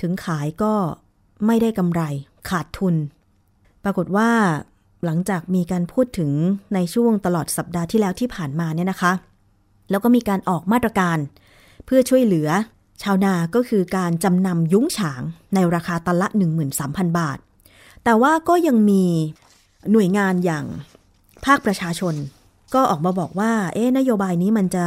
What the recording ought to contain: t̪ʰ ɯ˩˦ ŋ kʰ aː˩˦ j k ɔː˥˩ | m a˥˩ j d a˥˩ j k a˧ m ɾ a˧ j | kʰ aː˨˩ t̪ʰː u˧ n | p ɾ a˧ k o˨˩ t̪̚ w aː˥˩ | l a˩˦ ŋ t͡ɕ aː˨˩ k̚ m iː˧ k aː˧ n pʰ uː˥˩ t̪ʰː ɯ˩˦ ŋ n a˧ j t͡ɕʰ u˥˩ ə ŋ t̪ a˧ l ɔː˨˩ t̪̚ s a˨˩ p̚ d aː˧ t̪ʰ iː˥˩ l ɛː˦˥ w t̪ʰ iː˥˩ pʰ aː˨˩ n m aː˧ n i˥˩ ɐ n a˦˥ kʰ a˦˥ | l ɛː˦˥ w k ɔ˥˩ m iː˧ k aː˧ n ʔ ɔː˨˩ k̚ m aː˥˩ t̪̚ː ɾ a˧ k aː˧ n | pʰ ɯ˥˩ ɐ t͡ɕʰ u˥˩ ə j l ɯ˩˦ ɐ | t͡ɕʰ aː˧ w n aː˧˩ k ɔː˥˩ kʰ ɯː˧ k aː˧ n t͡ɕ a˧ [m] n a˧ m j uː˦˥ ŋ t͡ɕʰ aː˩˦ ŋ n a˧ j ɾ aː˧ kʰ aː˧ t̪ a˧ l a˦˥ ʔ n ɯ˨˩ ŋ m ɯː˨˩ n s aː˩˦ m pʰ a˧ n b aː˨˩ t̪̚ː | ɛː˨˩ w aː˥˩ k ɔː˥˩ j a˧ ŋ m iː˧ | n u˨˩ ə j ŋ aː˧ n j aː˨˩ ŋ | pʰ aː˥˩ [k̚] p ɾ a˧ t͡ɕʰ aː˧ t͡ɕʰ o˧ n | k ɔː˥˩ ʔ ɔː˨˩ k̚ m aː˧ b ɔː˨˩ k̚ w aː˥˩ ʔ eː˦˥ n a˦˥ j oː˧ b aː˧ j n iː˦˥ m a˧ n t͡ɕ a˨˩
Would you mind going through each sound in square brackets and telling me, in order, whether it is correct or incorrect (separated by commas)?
correct, correct